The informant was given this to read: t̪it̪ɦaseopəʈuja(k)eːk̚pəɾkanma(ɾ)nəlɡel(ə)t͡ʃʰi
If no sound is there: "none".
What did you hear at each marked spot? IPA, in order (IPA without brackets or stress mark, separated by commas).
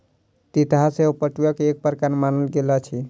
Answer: k, none, a